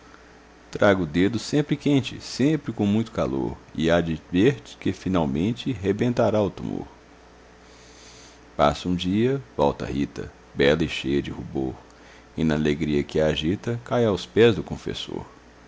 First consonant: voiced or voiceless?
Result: voiceless